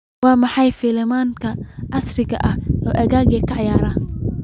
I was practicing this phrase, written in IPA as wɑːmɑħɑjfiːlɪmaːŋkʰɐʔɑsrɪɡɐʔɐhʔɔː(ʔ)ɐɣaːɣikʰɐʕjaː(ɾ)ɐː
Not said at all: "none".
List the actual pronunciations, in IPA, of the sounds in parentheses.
ʔ, ɾ

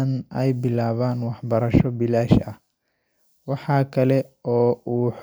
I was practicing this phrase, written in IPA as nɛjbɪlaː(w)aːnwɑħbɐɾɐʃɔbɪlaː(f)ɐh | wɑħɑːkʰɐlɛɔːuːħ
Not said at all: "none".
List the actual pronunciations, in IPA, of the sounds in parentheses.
β, ʃ

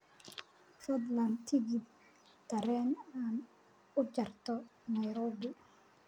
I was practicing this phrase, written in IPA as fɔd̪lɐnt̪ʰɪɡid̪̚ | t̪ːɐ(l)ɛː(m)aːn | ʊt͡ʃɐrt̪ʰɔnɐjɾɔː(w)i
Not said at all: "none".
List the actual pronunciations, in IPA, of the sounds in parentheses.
ɾ, n, b

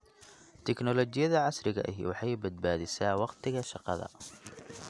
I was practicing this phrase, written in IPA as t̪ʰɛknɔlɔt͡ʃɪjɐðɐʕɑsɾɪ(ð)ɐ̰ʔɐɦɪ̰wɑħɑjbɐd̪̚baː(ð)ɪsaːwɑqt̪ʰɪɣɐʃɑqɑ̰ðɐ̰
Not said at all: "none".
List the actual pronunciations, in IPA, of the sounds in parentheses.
ɣ, ð

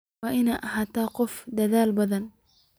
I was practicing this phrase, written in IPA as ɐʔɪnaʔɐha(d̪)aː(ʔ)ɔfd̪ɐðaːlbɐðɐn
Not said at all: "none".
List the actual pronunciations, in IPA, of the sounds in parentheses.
t̪, q

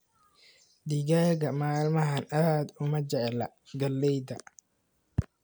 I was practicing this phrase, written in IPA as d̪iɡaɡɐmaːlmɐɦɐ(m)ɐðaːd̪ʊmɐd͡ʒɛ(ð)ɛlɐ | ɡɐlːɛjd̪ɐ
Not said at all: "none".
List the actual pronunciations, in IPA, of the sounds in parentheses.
n, ʕ

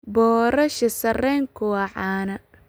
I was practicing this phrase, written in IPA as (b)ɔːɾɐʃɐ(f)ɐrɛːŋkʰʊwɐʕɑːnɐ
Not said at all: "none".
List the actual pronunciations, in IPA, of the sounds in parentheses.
b, s

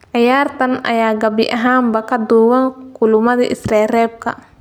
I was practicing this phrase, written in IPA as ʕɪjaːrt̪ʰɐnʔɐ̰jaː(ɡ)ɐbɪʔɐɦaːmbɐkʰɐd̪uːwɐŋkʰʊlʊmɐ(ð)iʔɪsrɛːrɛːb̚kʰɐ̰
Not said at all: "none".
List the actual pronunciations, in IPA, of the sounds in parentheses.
ɡ, ð

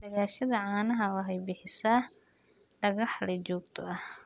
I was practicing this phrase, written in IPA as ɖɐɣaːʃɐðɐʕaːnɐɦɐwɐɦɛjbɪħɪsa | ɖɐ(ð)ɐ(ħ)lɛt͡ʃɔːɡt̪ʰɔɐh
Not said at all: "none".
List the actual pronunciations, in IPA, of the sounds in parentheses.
ɣ, ħ

